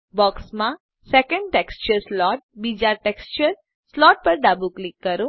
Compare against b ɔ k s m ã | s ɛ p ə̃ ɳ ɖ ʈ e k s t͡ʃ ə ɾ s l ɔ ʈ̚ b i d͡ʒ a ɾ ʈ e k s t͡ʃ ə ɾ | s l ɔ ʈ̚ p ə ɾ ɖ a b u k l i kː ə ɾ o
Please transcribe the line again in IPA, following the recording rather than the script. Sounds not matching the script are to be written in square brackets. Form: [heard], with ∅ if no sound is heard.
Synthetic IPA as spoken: b ɔ k s m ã | s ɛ [k] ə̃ ɳ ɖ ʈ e k s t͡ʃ ə ɾ s l ɔ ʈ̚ b i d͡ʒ a ɾ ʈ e k s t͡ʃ ə ɾ | s l ɔ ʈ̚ p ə ɾ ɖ a b u k l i kː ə ɾ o